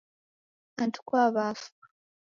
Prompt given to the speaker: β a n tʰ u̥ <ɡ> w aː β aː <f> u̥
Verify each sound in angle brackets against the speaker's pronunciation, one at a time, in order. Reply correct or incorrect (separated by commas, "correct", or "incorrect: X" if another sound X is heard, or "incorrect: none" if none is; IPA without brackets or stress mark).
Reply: incorrect: k, correct